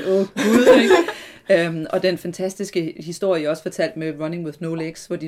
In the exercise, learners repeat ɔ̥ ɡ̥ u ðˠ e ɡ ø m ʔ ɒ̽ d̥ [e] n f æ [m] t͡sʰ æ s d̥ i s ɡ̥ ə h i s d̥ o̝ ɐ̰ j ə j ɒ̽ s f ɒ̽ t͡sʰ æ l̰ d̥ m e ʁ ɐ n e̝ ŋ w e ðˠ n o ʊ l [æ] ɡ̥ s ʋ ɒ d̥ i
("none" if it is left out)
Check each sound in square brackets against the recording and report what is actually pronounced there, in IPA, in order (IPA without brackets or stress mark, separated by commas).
e, n, e